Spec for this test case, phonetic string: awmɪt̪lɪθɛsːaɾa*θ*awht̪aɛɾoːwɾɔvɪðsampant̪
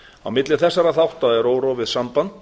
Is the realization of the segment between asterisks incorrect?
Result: no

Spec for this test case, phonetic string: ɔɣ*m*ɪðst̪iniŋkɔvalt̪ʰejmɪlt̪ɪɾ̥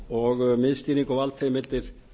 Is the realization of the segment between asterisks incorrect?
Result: no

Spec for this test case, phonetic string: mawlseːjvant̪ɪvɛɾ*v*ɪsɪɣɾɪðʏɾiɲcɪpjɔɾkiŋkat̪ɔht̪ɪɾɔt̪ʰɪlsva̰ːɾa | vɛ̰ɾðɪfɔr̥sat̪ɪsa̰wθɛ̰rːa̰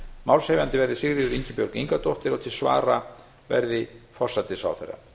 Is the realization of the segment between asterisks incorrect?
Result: yes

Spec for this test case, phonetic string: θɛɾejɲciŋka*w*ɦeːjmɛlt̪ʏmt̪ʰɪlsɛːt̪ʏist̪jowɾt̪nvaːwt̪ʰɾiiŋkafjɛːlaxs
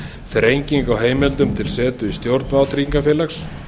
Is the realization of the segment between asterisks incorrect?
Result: no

